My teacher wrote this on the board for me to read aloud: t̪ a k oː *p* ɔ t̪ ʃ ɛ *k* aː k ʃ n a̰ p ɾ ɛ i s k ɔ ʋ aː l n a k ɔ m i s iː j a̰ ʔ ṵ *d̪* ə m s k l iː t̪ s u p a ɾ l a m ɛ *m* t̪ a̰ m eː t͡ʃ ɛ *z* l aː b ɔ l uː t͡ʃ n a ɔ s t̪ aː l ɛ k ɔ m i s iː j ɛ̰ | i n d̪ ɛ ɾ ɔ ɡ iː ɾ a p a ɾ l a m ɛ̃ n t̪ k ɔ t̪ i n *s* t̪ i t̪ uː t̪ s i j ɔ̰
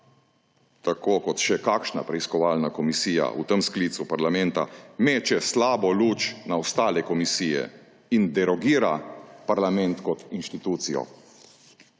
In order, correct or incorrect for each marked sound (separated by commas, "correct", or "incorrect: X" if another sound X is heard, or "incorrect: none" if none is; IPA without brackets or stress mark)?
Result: incorrect: k, correct, incorrect: t̪, incorrect: n, incorrect: s, incorrect: ʃ